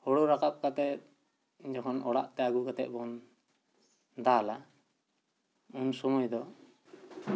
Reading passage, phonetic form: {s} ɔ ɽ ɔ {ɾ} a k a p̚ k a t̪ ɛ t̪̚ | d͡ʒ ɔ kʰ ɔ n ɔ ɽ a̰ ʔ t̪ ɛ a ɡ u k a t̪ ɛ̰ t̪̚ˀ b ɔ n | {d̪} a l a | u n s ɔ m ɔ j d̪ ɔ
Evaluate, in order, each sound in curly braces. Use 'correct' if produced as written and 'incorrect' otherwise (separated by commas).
incorrect, correct, correct